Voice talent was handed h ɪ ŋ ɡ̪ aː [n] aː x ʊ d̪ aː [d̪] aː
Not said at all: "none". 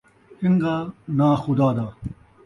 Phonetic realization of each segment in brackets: n, d̪

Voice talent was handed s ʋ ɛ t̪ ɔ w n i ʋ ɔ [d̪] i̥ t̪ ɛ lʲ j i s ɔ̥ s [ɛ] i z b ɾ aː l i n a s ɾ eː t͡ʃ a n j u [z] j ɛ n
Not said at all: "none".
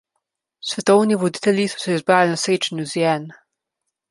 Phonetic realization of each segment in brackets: d̪, ɛ, z

